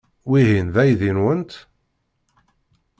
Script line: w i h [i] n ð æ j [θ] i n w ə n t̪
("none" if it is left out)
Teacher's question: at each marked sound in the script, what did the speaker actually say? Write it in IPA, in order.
i, ð

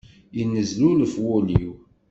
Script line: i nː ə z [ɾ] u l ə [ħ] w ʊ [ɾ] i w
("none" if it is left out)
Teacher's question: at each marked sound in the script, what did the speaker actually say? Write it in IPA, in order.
l, f, l

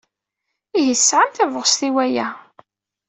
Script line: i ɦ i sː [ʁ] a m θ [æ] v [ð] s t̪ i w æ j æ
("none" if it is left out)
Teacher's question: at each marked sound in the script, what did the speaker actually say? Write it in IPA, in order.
ʕ, æ, ʁ

